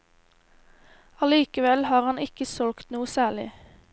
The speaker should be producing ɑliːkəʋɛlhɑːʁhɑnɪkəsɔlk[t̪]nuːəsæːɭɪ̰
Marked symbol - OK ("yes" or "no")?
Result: yes